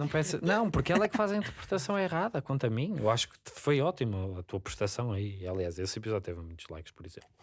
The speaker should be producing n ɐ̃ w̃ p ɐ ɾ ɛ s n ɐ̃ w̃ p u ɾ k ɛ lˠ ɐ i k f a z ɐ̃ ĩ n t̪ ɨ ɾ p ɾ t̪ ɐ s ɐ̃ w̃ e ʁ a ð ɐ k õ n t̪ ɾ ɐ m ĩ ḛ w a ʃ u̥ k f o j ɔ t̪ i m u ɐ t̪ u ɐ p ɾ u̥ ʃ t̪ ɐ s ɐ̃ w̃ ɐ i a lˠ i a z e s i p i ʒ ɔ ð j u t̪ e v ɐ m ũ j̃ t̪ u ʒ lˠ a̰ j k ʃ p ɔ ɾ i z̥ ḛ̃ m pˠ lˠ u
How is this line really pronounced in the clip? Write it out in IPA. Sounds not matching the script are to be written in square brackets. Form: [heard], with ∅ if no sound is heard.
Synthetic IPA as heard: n ɐ̃ w̃ p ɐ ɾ ɛ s n ɐ̃ w̃ p u ɾ k ɛ lˠ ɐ [ɛ] k f a z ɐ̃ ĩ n t̪ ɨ ɾ p ɾ t̪ ɐ s ɐ̃ w̃ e ʁ a ð ɐ k õ n t̪ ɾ ɐ m ĩ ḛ w a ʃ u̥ k f o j ɔ t̪ i m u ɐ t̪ u ɐ p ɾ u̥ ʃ t̪ ɐ s ɐ̃ w̃ ɐ i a lˠ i a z e s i p i [z] ɔ ð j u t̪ e v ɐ m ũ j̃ t̪ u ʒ lˠ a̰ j k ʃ p ɔ ɾ i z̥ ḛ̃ m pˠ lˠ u